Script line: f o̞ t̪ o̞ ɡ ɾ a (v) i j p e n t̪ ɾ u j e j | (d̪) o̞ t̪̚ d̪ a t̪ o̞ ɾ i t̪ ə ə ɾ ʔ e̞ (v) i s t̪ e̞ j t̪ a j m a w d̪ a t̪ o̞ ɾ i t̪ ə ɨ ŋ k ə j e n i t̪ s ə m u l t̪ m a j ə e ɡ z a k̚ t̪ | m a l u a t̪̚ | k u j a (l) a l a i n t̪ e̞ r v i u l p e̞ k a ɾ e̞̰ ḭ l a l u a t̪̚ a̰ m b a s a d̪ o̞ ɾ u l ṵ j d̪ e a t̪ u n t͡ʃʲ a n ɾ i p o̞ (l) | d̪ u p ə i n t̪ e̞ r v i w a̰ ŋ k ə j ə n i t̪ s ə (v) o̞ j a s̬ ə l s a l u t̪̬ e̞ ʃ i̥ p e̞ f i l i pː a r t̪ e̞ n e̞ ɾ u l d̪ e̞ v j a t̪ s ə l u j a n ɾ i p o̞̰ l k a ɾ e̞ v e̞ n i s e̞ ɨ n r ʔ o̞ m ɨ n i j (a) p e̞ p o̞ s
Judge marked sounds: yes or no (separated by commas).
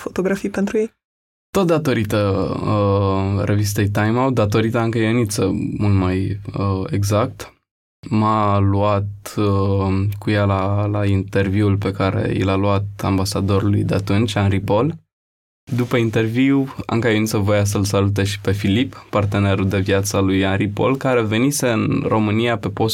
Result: no, no, yes, yes, yes, yes, yes